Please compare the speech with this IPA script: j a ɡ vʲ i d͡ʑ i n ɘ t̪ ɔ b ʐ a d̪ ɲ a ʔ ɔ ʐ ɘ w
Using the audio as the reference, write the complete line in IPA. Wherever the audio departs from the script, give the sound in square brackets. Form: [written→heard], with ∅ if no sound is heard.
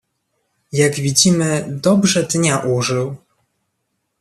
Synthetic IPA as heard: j a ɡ vʲ i d͡ʑ i [n→m] ɘ [t̪→d̪] ɔ b ʐ [a→ɛ] d̪ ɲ a ʔ [ɔ→u] ʐ ɘ w